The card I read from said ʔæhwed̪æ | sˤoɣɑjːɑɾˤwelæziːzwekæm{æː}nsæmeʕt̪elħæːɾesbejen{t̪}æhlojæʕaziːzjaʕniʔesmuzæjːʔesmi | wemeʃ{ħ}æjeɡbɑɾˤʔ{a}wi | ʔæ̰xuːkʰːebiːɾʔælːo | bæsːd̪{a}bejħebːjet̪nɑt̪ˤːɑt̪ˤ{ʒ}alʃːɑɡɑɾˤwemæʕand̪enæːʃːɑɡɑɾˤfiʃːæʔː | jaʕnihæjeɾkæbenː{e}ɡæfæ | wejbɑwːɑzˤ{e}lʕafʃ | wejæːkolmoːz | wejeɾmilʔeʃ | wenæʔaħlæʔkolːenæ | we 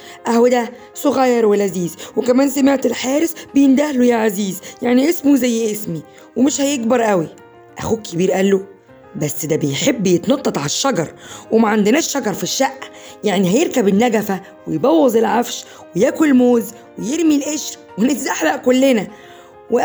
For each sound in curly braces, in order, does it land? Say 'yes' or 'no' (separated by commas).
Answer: yes, no, no, no, no, no, no, yes